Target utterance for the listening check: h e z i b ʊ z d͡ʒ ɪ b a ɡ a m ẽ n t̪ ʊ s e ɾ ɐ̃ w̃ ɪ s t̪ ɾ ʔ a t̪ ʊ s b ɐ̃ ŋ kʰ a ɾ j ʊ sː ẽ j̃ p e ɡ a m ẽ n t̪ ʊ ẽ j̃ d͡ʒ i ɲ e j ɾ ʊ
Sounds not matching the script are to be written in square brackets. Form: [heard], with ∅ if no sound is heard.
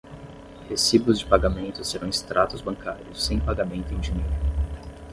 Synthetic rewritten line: h e [s] i b ʊ z d͡ʒ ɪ [p] a ɡ a m ẽ n t̪ ʊ s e ɾ ɐ̃ w̃ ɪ s t̪ ɾ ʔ a t̪ ʊ [z] b ɐ̃ ŋ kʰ a ɾ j ʊ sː ẽ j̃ p [a] ɡ a m ẽ n t̪ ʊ ẽ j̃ d͡ʒ i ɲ e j ɾ ʊ